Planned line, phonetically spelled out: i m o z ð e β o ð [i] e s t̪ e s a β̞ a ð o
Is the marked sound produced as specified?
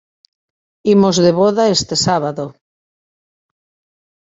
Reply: no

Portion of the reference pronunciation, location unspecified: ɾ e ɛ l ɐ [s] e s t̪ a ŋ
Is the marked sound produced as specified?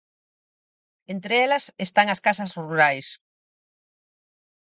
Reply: yes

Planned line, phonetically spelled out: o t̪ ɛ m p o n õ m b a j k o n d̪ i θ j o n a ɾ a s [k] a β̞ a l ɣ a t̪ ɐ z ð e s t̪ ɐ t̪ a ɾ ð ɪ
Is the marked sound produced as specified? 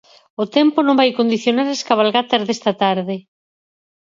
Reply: yes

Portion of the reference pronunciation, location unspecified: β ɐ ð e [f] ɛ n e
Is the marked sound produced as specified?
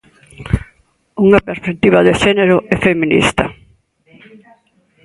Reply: no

